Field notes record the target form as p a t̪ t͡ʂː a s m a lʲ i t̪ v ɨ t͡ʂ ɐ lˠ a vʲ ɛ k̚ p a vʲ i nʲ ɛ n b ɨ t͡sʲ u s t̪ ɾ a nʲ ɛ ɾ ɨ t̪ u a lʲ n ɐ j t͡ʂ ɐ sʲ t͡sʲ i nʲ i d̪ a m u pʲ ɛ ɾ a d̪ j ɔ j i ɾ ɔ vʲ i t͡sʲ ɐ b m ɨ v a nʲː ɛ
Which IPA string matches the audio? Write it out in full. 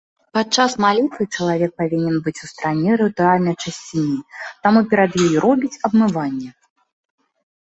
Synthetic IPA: p a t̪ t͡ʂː a s m a lʲ i t̪ v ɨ t͡ʂ ɐ lˠ a vʲ ɛ k̚ p a vʲ i nʲ ɛ n b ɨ t͡sʲ u s t̪ ɾ a nʲ ɛ ɾ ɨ t̪ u a lʲ n ɐ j t͡ʂ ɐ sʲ t͡sʲ i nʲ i t̪ a m u pʲ ɛ ɾ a d̪ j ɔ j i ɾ ɔ bʲ i t͡sʲ ɐ b m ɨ v a nʲː ɛ